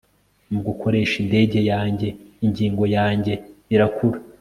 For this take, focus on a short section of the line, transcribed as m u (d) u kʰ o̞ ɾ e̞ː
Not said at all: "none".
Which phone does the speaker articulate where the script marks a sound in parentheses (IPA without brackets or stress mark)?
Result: ɡ